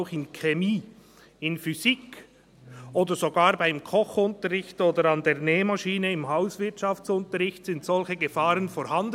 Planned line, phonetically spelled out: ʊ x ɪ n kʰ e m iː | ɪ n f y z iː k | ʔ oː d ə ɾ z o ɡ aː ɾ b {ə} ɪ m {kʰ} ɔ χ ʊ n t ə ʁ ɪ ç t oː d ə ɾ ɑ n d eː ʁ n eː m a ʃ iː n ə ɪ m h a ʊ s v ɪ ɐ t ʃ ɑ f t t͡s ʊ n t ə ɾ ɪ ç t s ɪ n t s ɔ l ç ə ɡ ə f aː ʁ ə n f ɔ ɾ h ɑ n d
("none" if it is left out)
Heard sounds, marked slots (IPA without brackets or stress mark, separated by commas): a, kʰ